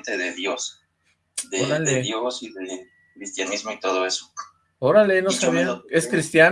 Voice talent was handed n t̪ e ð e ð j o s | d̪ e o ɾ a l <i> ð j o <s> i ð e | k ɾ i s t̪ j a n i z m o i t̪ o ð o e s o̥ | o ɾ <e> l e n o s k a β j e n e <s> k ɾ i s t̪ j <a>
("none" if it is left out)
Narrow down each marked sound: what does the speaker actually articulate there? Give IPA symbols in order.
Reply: e, s, a, s, a

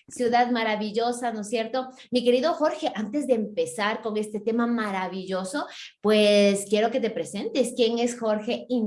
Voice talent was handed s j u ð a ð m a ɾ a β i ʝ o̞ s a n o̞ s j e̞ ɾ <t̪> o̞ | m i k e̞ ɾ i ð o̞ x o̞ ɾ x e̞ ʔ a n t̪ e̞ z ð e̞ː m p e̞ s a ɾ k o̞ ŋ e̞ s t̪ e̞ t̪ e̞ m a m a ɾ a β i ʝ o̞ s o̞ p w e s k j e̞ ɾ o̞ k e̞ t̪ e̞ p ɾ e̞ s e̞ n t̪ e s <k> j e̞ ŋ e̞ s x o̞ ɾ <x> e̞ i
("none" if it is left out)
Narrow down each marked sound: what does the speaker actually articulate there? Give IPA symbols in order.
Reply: t̪, k, x

